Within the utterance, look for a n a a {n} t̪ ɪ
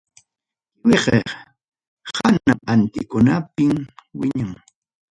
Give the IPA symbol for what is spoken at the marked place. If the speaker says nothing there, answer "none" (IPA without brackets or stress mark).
n